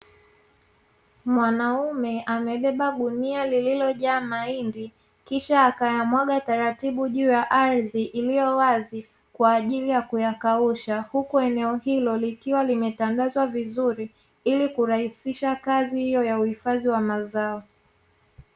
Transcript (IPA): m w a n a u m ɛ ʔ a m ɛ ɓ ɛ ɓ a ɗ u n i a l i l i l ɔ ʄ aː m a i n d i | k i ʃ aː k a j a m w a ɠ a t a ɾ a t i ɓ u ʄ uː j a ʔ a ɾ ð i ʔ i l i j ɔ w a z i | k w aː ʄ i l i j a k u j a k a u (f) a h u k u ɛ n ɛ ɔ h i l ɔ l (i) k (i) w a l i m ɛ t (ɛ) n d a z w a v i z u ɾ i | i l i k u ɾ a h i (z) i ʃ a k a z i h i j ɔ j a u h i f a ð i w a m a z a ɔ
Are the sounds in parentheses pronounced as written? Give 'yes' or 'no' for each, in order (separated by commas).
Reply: no, yes, yes, no, no